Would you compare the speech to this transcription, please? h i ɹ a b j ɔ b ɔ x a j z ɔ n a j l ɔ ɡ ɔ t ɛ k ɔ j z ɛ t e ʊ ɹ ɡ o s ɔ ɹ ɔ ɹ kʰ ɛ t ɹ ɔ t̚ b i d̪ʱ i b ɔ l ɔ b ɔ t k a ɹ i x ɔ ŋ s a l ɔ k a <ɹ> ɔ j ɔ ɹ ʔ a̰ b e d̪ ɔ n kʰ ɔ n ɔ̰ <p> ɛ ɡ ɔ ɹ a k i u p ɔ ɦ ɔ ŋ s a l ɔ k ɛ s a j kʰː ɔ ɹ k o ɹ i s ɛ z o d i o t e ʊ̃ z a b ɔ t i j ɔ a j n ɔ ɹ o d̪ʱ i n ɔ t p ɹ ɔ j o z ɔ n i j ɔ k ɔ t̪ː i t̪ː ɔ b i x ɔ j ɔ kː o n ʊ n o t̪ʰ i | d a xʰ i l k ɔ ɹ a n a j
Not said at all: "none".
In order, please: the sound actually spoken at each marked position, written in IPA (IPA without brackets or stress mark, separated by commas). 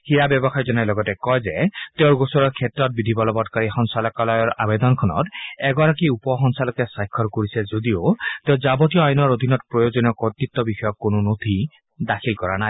l, t